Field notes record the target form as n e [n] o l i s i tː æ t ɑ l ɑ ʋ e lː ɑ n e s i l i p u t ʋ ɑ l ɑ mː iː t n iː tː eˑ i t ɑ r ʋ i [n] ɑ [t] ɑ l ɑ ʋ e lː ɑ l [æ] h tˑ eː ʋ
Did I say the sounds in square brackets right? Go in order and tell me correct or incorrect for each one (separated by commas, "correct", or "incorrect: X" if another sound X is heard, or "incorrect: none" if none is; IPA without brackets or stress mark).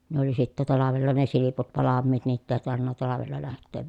incorrect: none, incorrect: nː, correct, correct